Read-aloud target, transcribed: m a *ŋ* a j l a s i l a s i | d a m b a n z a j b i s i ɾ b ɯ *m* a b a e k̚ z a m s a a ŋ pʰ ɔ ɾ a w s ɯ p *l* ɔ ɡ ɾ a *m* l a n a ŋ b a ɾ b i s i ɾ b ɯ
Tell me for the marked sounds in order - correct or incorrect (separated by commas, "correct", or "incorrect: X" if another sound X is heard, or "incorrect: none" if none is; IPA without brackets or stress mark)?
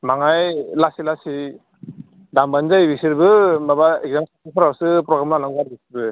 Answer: correct, correct, incorrect: ɾ, correct